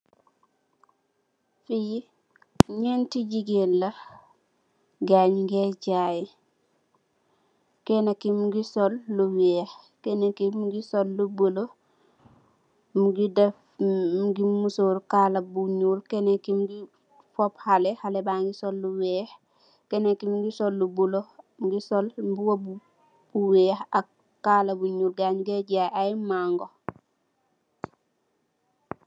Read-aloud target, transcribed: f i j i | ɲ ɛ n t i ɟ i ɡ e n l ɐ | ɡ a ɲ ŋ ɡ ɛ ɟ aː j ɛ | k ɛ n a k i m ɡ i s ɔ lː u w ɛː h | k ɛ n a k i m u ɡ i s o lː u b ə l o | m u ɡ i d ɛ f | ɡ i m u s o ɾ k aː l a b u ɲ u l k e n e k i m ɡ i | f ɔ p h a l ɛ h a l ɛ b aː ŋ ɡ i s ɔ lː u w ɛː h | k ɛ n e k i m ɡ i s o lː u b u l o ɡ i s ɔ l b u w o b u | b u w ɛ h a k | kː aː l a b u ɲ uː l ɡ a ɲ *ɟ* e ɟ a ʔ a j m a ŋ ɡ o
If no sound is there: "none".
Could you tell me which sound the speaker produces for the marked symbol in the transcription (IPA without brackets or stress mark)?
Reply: ɡ